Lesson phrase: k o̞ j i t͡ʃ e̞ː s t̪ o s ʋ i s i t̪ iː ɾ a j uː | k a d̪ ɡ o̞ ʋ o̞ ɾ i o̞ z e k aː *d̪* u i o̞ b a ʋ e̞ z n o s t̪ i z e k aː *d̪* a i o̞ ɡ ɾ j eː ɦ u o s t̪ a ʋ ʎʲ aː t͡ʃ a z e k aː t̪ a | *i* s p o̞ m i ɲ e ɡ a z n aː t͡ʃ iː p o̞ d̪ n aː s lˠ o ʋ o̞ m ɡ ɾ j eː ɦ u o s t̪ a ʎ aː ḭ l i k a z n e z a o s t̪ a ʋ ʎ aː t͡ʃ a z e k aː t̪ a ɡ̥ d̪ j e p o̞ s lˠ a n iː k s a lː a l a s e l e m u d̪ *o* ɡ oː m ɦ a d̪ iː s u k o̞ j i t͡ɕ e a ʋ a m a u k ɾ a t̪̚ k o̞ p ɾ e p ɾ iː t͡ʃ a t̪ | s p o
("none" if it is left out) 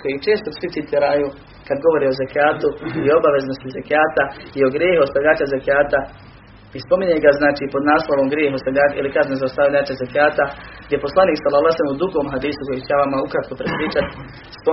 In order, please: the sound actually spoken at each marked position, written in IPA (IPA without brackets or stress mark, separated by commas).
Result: t̪, t̪, i, u